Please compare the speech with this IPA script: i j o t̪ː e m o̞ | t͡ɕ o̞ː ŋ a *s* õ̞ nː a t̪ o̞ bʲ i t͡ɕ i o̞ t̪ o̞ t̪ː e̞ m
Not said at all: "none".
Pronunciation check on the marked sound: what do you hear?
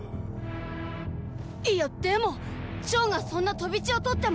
s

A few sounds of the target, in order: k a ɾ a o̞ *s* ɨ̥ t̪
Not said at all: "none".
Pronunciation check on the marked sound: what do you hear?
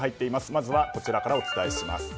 t͡s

